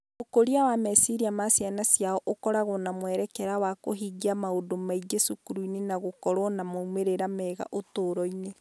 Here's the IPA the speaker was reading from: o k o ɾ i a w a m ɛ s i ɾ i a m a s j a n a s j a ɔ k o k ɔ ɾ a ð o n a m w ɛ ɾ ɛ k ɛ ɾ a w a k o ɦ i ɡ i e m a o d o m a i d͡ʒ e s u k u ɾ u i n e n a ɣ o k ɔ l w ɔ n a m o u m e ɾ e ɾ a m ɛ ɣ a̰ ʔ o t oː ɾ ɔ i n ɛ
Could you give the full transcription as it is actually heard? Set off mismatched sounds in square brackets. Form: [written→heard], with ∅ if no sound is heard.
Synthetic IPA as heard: o k o ɾ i a w a m ɛ s i ɾ i a m a s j a n a s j a ɔ [k→ʔ] o k ɔ ɾ a [ð→ɣ] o n a m w ɛ ɾ ɛ k ɛ ɾ a w a k o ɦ i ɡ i [e→a] m a o d o m a i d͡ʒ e s u k u ɾ u i n e n a ɣ o k ɔ [l→ɾ] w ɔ n a m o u m e ɾ e ɾ a m ɛ ɣ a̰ ʔ o t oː ɾ ɔ i n [ɛ→e]